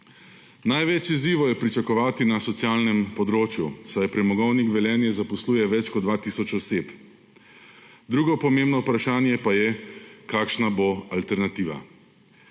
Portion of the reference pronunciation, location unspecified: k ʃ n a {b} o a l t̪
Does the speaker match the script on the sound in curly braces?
yes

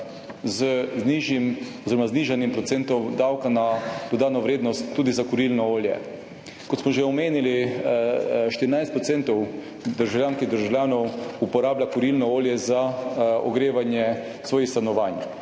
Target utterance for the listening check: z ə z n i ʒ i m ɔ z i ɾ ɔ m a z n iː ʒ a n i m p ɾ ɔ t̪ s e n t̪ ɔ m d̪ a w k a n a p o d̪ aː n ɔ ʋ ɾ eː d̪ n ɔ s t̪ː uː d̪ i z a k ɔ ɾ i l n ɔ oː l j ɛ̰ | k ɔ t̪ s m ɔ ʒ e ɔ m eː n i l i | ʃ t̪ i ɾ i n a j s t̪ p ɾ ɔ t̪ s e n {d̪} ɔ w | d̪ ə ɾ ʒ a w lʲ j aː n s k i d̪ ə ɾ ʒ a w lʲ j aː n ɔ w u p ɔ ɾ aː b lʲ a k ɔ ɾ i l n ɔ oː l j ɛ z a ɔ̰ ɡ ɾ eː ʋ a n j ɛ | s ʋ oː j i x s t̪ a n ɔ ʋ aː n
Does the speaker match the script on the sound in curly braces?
no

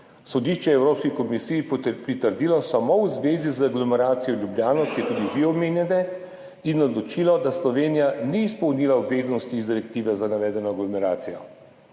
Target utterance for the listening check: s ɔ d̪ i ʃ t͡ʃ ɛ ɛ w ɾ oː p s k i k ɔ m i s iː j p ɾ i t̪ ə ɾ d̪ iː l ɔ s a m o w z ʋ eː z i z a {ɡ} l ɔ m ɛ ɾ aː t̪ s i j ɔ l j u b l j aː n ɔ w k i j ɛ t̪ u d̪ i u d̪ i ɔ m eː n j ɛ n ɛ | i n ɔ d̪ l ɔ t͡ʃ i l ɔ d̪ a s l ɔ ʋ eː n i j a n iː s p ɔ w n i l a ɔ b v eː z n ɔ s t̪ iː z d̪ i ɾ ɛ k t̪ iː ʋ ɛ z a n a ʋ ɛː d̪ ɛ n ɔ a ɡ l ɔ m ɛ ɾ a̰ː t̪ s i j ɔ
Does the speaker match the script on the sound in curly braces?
yes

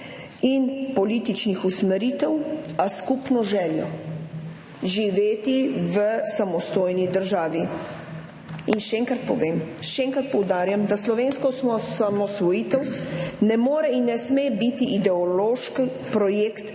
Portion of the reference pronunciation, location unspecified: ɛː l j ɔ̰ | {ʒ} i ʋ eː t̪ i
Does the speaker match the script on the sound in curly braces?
yes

